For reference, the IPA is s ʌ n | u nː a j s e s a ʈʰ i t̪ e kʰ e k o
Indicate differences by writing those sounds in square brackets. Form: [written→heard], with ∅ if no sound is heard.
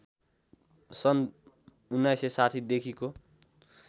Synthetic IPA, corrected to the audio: s ʌ n | u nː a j s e s a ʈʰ i [t̪→d̪] e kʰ [e→i] k o